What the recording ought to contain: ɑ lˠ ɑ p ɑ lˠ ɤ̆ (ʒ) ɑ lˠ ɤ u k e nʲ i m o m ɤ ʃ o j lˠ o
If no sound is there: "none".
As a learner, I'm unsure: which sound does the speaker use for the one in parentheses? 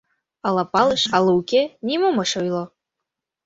ʃ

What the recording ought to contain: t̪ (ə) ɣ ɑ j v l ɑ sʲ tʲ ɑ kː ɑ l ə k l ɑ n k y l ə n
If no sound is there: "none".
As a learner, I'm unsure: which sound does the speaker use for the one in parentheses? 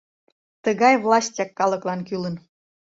ə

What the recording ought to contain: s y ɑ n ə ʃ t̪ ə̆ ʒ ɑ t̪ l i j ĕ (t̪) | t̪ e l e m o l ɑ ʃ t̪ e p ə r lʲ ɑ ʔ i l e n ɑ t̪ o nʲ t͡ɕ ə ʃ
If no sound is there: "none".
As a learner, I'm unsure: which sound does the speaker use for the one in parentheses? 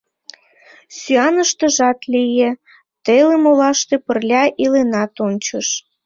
none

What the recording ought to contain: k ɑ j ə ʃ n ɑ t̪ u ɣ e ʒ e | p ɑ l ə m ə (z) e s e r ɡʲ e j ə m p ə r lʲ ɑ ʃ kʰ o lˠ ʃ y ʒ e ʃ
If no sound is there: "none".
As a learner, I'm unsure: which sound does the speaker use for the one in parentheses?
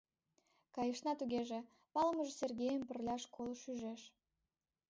ʒ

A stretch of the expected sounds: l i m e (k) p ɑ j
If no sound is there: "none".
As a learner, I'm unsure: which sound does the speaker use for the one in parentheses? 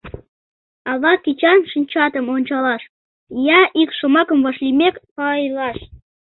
k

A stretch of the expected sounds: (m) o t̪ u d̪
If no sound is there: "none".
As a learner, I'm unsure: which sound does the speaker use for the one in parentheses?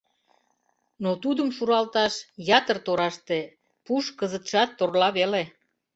n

